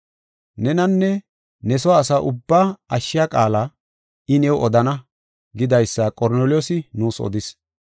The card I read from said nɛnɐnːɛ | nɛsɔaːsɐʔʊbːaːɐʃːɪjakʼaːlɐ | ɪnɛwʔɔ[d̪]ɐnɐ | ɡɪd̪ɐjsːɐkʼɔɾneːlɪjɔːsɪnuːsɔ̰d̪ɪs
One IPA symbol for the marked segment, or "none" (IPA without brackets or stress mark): d̪